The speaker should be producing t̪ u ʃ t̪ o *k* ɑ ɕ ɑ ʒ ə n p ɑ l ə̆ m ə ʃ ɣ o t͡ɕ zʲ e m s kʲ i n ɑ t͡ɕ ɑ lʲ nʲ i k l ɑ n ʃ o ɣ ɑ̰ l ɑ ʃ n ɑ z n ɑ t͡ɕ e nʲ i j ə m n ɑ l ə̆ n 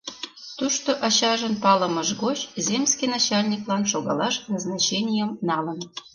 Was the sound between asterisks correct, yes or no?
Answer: no